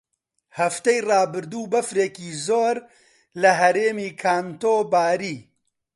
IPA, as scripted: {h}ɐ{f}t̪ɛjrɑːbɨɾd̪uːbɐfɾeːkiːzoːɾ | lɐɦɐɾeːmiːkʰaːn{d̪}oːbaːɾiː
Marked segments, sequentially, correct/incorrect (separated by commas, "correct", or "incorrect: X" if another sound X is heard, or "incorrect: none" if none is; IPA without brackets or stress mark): correct, correct, incorrect: t̪